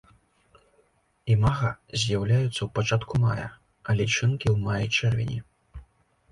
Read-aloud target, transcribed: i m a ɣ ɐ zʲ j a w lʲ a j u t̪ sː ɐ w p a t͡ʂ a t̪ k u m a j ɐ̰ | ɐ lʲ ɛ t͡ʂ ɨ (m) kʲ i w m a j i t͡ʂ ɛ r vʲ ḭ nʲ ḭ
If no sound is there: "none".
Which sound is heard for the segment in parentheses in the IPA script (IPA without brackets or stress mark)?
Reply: n